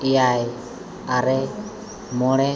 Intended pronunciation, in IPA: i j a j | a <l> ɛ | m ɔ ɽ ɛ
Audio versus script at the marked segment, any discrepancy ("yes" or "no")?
yes